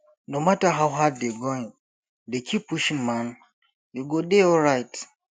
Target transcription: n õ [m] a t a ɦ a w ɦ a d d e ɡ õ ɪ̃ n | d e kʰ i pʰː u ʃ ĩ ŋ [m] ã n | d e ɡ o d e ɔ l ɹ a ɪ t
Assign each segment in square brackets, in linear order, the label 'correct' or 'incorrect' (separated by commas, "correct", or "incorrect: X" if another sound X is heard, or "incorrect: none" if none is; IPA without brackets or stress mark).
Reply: correct, correct